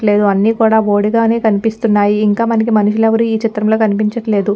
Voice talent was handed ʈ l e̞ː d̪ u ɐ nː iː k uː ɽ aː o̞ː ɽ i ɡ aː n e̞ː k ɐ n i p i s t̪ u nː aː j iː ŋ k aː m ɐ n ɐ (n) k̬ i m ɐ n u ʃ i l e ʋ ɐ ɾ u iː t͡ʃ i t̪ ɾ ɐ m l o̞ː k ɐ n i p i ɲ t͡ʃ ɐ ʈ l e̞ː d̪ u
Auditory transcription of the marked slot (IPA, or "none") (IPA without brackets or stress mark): none